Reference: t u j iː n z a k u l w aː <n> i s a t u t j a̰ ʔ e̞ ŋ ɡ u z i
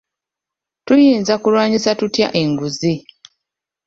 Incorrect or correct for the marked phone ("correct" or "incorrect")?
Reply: incorrect